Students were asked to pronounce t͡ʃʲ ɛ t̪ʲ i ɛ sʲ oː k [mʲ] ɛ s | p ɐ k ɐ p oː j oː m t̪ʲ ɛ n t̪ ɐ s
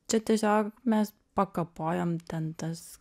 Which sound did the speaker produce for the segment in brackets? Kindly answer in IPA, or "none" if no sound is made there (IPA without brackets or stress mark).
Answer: mʲ